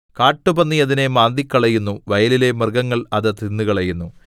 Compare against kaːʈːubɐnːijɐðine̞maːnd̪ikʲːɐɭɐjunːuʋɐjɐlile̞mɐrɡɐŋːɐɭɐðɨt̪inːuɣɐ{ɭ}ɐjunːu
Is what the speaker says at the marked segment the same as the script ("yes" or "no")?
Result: yes